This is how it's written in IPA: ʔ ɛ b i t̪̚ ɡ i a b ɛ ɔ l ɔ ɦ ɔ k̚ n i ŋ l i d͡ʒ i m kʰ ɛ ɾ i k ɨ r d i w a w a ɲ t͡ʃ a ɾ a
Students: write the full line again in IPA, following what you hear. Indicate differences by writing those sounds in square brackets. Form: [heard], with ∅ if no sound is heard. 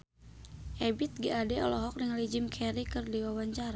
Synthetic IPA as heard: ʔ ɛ b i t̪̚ ɡ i a [d] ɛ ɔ l ɔ ɦ ɔ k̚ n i ŋ l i d͡ʒ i m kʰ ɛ ɾ i k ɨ r d i w a w a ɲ t͡ʃ a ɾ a